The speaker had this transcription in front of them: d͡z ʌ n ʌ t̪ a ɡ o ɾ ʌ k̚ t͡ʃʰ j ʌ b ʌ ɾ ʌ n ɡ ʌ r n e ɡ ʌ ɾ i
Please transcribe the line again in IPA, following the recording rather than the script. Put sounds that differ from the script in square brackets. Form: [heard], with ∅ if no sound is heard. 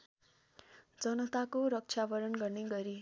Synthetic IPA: d͡z ʌ n ʌ t̪ a [k] o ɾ ʌ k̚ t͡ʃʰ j [a] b ʌ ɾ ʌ n ɡ ʌ r n e ɡ ʌ ɾ i